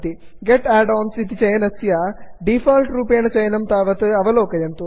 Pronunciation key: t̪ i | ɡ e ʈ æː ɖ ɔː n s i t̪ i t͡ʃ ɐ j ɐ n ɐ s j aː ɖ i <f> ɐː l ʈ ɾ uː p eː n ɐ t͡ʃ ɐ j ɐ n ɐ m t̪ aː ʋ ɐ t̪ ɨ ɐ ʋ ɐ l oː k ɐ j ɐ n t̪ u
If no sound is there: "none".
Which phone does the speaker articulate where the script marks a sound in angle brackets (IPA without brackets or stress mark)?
f